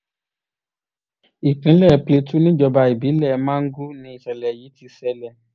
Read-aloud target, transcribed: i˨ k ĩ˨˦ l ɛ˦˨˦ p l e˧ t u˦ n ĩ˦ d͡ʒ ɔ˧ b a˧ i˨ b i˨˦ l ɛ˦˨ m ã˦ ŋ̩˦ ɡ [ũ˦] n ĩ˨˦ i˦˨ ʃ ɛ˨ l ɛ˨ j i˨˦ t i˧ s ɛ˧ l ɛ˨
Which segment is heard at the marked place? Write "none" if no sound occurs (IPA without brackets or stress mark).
u˦